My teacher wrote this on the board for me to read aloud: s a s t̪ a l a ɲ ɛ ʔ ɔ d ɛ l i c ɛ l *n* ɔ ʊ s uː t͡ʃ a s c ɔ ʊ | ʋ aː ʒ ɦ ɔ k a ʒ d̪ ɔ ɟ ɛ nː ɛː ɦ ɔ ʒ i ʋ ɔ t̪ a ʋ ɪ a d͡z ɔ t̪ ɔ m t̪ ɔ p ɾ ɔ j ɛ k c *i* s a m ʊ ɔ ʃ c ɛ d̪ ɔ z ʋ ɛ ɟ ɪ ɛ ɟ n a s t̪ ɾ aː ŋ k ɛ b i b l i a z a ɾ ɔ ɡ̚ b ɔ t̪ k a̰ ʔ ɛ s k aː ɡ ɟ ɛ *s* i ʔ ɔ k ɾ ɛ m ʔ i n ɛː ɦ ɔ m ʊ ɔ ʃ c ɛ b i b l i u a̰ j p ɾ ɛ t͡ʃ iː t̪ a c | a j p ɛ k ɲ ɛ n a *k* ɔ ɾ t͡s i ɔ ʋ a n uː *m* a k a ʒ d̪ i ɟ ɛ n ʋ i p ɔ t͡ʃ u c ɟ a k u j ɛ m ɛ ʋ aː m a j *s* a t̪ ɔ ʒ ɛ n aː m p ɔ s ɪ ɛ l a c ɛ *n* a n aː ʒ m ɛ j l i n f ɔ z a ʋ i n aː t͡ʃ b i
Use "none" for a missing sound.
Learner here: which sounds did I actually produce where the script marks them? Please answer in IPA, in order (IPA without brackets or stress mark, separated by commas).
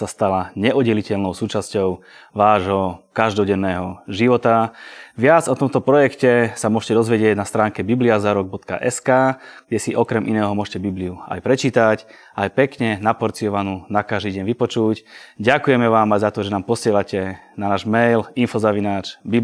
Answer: n, ɛ, s, p, n, z, n